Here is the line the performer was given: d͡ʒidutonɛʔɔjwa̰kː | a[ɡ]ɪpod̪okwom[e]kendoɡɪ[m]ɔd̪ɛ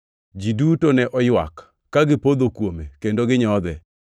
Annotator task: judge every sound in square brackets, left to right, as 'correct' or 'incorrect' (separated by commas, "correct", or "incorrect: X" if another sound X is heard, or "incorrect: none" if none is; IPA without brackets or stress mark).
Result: correct, correct, incorrect: ɲ